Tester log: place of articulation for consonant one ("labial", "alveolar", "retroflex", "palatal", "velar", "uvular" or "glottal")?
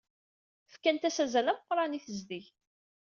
labial